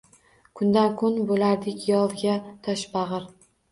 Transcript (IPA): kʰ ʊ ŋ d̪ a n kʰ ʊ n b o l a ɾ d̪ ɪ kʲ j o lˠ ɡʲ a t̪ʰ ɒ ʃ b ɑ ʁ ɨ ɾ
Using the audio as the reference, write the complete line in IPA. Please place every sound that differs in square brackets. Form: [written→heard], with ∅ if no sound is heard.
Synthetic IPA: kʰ ʊ [ŋ→n] d̪ a n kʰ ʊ n b o l a ɾ d̪ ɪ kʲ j [o→ɒ] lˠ ɡʲ a t̪ʰ ɒ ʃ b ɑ ʁ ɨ ɾ